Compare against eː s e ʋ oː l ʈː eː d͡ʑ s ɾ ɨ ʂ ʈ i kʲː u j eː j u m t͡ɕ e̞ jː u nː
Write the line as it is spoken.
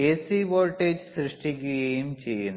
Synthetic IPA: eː s i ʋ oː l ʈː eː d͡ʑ s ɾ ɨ ʂ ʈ i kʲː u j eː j u m t͡ɕ e̞ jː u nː